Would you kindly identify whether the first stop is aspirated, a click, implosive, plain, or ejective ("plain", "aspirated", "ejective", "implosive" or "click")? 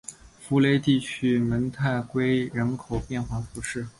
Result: plain